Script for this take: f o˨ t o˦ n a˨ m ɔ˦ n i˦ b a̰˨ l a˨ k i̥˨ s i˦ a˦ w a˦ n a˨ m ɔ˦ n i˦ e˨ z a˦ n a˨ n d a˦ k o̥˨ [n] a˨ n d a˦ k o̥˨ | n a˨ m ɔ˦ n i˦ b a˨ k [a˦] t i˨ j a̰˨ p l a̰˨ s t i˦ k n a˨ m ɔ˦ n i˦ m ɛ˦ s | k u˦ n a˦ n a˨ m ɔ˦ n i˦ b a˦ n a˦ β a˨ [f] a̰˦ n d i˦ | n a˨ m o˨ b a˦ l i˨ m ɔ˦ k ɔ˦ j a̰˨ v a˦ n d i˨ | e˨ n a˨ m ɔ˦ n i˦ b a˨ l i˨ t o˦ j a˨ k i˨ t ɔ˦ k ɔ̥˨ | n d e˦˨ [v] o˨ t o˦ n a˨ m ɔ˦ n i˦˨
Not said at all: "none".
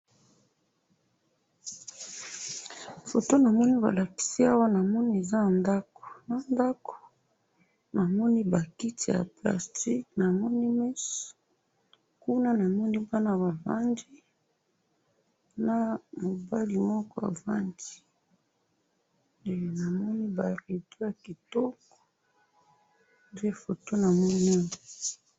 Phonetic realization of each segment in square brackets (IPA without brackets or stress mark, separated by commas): n, i˦, v, f